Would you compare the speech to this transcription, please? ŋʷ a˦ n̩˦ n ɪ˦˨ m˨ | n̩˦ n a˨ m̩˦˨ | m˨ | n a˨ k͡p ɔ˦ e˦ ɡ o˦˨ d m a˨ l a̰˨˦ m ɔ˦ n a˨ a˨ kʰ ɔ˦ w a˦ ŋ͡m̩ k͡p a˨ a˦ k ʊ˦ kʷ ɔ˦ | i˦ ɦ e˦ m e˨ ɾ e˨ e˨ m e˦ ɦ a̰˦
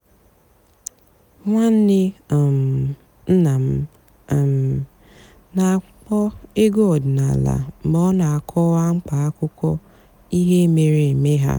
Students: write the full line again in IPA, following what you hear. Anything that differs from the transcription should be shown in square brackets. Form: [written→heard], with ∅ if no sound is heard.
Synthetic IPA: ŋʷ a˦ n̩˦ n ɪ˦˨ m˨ | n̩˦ n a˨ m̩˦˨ | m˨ | n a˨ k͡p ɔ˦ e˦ ɡ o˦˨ d [m→n] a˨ l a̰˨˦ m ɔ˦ n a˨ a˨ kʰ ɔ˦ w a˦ ŋ͡m̩ k͡p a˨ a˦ k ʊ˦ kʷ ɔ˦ | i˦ ɦ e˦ m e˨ ɾ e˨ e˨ m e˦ ɦ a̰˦